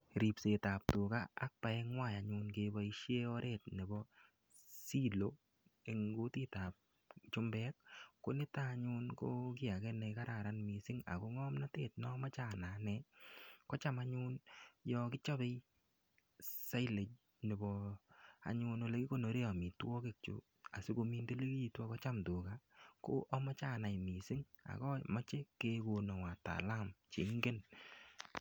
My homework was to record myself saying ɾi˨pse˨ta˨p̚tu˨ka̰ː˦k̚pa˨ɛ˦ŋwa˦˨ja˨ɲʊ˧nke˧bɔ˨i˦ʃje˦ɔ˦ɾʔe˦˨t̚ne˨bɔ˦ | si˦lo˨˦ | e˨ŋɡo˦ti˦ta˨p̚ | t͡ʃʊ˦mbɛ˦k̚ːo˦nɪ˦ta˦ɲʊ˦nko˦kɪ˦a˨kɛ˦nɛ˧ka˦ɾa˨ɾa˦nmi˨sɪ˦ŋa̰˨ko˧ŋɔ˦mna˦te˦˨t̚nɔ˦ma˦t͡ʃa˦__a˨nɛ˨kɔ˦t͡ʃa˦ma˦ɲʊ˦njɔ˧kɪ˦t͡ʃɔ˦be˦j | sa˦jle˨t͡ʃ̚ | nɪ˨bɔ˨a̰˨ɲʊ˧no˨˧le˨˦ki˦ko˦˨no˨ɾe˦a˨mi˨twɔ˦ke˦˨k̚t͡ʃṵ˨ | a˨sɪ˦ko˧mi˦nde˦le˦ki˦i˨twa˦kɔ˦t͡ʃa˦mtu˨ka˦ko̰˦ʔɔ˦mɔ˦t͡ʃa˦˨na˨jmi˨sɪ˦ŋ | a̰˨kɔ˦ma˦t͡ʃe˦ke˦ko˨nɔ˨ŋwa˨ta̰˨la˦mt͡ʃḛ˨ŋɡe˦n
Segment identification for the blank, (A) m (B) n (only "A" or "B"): B